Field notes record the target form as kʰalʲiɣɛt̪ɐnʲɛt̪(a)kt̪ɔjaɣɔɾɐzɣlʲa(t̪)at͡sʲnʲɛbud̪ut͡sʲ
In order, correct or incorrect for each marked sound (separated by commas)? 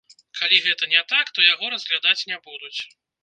correct, incorrect